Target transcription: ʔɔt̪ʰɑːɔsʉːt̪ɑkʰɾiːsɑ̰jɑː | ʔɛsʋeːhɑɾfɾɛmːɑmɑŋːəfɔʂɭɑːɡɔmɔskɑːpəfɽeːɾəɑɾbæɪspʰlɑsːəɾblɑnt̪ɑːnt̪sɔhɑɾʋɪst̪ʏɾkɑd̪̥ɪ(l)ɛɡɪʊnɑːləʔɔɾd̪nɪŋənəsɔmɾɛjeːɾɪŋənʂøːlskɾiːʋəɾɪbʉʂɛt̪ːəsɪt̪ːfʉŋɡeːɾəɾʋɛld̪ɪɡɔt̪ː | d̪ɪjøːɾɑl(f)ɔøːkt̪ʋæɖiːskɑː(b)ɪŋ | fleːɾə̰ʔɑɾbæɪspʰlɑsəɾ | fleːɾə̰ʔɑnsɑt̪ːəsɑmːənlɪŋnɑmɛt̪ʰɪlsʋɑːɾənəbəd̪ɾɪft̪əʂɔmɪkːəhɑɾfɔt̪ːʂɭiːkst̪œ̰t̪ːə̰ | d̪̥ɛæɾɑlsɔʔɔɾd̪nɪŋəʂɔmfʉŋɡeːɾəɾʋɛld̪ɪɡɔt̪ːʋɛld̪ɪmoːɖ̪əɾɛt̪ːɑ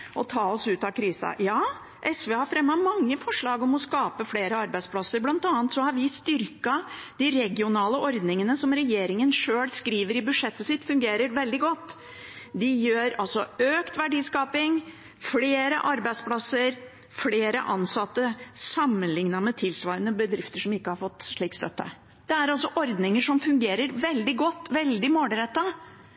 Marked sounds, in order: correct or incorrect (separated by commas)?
incorrect, incorrect, incorrect